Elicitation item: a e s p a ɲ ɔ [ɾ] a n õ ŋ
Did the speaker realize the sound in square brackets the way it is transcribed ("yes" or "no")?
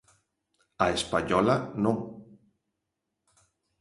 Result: no